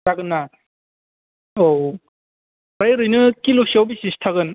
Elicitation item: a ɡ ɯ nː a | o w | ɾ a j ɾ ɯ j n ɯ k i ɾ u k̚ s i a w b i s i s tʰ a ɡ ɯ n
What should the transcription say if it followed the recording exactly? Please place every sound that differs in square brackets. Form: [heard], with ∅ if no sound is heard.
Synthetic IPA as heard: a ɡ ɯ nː a | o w | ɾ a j ɾ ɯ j n ɯ k i [l] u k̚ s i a w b i s i s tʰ a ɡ ɯ n